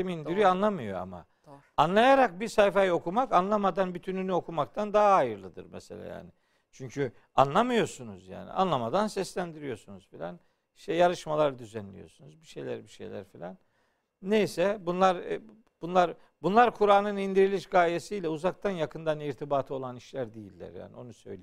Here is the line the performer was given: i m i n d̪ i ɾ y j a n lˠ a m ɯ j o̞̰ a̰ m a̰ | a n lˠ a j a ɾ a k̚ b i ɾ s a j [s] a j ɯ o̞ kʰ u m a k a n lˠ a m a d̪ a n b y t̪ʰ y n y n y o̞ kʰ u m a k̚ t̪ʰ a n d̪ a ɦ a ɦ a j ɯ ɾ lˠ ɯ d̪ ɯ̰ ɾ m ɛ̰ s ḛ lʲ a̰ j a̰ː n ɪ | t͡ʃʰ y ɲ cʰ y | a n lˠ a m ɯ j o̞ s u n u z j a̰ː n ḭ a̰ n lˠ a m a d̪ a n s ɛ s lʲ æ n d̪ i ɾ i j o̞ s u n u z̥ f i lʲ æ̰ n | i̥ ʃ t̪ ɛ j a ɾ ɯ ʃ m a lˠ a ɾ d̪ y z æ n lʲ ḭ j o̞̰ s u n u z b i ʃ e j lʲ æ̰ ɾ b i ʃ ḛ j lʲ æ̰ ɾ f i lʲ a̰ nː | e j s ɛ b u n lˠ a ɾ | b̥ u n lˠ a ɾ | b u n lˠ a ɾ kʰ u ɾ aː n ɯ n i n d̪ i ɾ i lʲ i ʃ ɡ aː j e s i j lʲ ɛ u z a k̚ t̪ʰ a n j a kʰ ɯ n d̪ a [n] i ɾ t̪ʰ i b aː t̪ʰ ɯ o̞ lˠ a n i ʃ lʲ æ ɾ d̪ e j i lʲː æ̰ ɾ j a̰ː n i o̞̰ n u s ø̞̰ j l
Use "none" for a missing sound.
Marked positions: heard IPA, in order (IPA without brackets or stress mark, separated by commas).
f, n